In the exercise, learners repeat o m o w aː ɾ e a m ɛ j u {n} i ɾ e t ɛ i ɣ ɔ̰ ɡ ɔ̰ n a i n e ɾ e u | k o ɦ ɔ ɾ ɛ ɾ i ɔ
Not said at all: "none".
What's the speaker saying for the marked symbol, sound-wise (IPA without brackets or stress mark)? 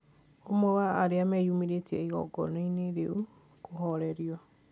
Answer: m